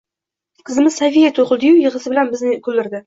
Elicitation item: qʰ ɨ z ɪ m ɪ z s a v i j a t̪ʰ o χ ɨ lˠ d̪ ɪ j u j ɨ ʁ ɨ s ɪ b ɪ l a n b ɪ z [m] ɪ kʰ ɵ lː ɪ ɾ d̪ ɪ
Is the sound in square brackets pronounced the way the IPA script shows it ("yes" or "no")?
no